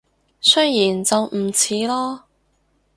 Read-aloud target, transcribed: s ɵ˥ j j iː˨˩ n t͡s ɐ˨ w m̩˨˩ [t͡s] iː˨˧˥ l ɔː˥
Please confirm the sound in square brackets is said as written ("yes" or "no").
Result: no